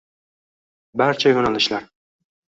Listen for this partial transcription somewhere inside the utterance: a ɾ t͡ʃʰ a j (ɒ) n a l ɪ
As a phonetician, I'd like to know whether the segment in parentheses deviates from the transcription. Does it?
yes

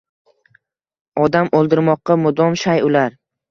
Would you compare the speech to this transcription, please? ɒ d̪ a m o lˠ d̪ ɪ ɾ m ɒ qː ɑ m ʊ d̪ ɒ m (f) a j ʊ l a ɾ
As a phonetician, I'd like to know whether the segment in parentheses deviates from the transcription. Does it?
yes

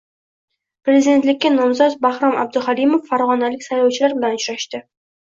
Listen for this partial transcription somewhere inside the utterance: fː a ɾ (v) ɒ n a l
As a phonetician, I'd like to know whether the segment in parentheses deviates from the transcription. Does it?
yes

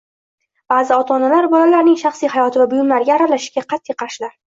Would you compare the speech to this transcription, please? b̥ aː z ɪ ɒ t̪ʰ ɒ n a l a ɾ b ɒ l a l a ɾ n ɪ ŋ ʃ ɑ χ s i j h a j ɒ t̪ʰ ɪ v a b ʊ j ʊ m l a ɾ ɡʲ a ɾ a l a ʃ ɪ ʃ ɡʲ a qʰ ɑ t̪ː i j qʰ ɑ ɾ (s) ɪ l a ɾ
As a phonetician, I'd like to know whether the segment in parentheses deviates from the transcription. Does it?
yes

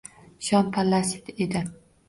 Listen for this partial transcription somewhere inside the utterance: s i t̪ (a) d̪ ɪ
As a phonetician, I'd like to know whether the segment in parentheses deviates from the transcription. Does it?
yes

